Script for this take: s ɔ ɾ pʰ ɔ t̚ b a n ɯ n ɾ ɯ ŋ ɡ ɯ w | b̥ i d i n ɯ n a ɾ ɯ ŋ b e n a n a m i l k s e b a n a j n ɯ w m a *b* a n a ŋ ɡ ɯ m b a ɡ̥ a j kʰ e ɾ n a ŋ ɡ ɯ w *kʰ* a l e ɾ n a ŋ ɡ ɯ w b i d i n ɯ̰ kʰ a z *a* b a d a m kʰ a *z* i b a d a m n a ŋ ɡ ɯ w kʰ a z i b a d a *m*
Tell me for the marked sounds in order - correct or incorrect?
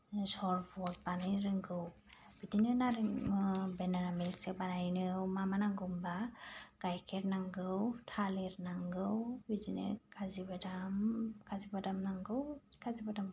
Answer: incorrect: m, incorrect: tʰ, incorrect: i, correct, correct

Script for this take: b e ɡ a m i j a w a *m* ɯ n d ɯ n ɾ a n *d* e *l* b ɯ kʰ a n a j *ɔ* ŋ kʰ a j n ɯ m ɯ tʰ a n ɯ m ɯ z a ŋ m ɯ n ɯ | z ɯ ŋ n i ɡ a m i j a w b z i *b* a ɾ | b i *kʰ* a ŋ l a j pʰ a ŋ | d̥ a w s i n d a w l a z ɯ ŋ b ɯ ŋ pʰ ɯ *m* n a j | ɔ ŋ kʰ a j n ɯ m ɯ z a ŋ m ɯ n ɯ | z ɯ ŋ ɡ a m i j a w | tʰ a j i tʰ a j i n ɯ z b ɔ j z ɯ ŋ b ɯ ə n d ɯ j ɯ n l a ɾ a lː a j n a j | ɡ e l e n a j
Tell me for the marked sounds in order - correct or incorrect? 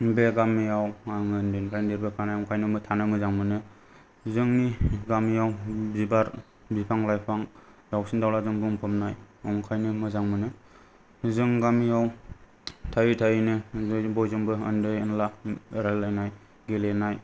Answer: incorrect: ŋ, correct, incorrect: ɾ, correct, correct, incorrect: pʰ, correct

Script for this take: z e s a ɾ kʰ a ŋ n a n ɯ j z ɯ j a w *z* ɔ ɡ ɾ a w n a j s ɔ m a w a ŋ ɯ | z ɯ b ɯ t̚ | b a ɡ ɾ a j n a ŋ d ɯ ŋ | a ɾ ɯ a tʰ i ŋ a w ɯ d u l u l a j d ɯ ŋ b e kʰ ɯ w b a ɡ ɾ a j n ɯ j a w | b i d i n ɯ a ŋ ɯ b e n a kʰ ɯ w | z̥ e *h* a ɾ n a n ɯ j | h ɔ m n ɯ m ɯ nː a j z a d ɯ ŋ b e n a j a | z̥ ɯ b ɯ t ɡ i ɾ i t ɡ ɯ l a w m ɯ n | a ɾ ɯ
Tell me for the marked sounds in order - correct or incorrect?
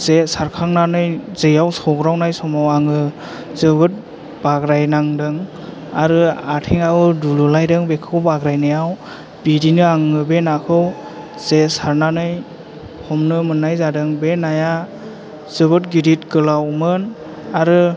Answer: incorrect: s, incorrect: s

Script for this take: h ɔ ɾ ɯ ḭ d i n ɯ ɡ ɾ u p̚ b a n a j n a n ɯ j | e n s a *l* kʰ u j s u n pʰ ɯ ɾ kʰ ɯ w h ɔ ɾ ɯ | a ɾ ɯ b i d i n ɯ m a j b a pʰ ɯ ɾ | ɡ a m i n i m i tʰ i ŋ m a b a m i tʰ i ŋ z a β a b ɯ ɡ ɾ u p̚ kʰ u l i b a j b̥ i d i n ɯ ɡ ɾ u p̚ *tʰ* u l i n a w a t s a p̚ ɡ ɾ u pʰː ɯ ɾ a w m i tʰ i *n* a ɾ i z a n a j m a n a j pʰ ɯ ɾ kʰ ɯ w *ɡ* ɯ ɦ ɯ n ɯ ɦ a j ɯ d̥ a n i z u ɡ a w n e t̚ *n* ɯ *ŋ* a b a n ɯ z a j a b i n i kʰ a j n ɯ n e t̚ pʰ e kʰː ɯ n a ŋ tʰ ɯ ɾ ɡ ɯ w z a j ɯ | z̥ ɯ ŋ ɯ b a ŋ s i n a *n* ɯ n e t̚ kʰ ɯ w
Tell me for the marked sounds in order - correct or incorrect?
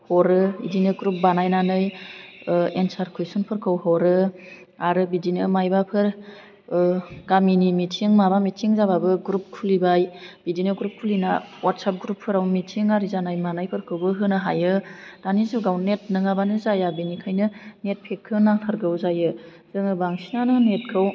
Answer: incorrect: ɾ, incorrect: kʰ, incorrect: ŋ, incorrect: b, correct, correct, correct

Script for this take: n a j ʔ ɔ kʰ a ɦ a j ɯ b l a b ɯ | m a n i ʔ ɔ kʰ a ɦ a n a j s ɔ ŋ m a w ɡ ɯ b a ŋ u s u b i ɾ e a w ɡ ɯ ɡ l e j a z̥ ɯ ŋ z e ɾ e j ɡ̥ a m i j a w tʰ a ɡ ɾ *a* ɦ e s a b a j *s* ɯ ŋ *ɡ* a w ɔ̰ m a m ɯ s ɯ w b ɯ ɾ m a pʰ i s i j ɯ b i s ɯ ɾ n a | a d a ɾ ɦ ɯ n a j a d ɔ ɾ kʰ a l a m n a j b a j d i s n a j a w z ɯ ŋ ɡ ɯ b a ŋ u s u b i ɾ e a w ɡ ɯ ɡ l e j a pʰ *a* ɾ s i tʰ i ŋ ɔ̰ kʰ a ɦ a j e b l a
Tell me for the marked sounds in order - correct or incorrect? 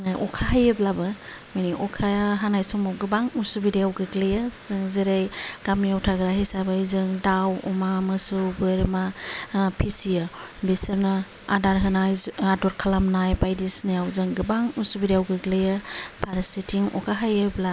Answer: correct, incorrect: z, incorrect: d, correct

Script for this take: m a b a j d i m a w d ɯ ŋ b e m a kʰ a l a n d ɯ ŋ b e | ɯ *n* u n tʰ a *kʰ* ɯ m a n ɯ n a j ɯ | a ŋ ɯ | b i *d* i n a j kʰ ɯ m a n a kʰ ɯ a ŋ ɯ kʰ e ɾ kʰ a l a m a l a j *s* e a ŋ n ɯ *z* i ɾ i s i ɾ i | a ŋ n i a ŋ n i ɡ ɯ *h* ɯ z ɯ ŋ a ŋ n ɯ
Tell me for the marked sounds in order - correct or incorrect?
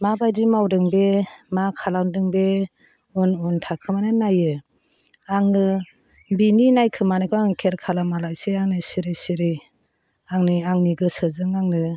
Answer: correct, correct, incorrect: n, correct, incorrect: s, incorrect: s

